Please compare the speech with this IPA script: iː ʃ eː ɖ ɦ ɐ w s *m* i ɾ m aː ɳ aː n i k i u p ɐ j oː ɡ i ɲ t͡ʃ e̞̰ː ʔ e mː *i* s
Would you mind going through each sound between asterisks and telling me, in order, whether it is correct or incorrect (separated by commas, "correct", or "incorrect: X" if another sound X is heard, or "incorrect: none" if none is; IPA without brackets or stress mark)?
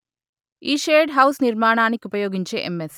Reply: incorrect: n, incorrect: e